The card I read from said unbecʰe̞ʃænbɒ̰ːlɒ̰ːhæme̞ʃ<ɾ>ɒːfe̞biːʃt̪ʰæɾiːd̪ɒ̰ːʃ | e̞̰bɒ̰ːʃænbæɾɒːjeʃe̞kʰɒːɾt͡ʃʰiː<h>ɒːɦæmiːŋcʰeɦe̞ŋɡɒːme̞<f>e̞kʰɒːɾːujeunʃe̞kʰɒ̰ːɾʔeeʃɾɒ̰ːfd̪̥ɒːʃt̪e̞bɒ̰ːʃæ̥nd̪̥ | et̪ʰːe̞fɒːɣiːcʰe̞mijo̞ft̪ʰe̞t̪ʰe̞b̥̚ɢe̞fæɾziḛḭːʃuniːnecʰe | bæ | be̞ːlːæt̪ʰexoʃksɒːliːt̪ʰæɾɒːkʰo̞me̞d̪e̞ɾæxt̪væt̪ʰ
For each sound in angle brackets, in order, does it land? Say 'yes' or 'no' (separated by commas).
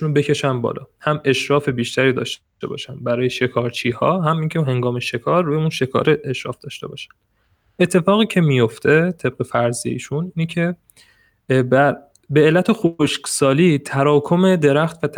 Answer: yes, yes, no